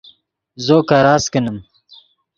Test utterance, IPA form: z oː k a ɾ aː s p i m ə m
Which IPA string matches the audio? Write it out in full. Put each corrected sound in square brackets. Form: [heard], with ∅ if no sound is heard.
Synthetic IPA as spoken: z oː k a ɾ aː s [k] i [n] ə m